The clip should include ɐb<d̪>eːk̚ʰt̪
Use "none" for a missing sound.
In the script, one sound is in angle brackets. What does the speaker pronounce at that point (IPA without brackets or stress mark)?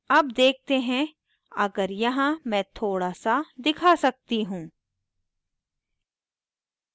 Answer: d̪